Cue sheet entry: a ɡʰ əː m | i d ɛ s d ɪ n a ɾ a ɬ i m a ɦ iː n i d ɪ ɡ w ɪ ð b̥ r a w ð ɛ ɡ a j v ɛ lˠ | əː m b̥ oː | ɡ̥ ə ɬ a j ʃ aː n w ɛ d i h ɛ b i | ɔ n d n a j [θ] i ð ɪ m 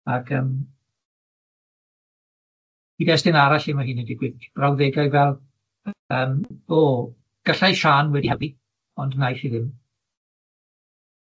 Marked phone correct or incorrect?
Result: correct